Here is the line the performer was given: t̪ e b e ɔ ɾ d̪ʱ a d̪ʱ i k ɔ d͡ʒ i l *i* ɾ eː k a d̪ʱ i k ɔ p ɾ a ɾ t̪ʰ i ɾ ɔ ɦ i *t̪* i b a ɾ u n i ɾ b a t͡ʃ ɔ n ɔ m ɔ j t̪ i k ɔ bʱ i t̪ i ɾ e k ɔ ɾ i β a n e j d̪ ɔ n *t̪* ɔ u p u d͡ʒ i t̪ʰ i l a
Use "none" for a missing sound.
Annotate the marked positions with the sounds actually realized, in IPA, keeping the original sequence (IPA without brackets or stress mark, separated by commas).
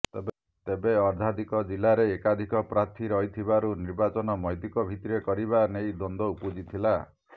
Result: a, t̪ʰ, d̪